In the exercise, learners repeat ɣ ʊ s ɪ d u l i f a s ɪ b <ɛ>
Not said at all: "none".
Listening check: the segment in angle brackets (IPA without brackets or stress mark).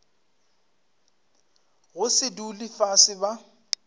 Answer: a